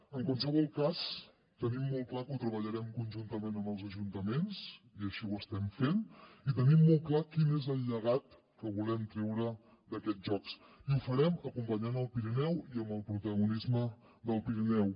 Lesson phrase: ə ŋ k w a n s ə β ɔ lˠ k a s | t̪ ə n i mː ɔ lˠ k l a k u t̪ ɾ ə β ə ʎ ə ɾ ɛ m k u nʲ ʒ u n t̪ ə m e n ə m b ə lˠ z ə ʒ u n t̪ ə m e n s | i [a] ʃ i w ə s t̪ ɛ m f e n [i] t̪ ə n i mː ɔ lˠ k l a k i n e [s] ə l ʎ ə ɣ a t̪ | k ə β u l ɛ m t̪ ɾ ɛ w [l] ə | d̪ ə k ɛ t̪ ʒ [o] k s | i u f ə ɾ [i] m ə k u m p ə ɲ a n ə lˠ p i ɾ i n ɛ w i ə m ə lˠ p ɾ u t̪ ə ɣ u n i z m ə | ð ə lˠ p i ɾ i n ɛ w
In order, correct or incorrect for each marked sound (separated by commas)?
incorrect, correct, incorrect, incorrect, incorrect, incorrect